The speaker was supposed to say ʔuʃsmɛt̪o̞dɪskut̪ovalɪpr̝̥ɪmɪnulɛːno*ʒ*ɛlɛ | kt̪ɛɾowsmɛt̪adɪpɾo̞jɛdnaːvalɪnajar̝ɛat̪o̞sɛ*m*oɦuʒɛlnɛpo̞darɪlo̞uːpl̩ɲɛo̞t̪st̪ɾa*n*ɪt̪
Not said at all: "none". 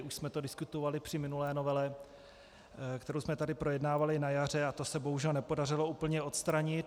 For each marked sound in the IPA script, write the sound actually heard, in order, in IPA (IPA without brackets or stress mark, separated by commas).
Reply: v, b, ɲ